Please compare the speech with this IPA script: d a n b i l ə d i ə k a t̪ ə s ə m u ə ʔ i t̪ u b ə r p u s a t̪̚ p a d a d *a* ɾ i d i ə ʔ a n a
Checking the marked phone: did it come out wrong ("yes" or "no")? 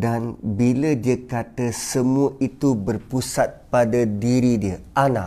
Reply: yes